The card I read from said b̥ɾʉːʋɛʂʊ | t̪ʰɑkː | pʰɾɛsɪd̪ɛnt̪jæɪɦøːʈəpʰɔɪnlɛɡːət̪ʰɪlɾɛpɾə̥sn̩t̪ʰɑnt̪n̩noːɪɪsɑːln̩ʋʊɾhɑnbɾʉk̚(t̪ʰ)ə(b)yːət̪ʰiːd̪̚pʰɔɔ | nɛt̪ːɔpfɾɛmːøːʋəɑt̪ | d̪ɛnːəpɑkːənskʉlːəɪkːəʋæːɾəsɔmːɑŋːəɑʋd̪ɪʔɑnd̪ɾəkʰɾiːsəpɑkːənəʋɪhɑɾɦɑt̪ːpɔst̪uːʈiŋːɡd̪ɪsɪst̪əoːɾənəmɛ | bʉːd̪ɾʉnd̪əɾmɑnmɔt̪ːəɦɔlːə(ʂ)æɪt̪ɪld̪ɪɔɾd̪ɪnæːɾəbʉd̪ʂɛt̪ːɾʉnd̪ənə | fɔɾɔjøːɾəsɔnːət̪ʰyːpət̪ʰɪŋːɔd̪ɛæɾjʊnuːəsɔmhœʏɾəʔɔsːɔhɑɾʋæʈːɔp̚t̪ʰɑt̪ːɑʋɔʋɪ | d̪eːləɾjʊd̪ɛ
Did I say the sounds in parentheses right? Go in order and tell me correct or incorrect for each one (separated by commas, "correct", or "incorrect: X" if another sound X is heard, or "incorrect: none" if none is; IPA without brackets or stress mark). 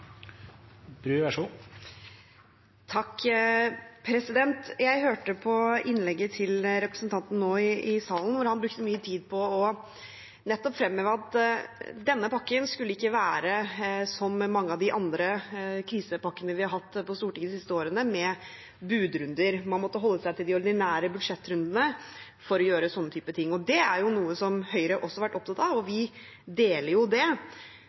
incorrect: t̪, incorrect: m, incorrect: s